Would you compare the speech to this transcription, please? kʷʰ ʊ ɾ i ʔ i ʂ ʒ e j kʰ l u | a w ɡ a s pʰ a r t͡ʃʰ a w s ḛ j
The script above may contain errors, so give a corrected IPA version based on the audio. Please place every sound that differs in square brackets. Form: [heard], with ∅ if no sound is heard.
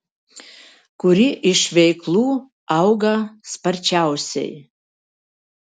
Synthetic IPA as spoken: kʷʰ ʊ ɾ i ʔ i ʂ [v] e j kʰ l u | a w ɡ a s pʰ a r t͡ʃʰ a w s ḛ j